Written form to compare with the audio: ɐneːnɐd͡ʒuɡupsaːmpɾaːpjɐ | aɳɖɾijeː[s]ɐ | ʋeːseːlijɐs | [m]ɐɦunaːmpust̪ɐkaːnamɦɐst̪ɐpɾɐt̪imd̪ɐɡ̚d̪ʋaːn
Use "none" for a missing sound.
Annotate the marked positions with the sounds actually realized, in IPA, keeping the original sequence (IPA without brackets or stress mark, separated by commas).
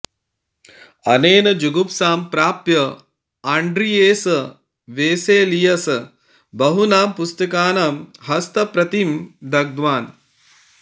s, b